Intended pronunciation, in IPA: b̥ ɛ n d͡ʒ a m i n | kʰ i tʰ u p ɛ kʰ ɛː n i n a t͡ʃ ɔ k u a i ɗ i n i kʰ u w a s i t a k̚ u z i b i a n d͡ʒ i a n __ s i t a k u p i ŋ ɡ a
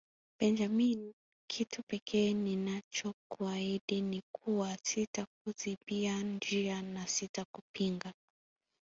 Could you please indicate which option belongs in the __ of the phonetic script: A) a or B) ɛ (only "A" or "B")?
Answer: A